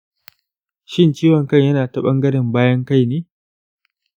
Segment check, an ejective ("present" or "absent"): absent